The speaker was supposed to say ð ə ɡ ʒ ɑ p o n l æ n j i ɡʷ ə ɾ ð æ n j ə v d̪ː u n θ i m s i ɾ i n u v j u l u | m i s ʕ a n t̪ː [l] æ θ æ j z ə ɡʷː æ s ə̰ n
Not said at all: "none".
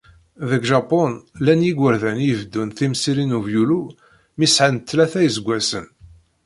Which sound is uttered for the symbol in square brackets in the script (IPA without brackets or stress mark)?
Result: l